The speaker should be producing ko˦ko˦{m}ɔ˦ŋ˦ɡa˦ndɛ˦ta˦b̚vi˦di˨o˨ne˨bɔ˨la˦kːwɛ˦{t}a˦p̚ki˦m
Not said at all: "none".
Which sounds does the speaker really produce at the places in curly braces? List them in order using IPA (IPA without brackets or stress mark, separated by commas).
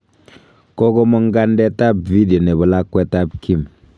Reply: m, t